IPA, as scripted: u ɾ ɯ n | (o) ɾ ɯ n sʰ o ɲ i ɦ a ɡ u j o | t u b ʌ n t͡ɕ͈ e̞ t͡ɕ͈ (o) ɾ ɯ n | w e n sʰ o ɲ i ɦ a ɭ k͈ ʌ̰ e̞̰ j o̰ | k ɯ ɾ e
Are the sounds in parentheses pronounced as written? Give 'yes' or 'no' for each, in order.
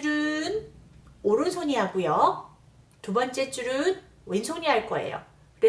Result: yes, no

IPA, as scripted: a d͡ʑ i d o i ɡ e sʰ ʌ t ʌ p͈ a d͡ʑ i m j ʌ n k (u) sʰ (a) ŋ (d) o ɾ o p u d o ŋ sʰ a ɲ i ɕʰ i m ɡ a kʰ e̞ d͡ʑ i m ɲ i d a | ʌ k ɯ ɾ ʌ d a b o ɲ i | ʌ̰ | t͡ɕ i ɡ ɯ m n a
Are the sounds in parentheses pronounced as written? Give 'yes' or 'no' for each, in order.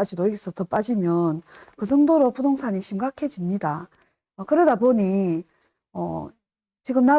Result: no, no, yes

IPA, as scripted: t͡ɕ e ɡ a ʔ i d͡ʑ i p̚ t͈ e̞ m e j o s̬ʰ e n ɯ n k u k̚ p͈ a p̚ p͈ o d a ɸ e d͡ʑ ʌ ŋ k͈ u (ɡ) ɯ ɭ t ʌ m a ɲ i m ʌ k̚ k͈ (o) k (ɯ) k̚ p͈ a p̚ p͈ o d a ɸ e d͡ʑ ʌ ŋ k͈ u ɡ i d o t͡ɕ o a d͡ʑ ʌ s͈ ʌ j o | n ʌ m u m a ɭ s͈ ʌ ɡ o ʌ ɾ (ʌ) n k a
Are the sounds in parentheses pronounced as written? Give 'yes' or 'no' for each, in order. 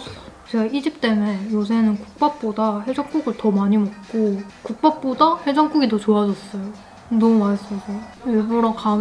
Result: yes, yes, no, yes

